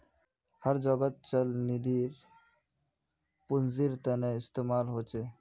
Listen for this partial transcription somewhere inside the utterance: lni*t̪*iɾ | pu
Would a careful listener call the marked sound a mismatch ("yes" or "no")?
yes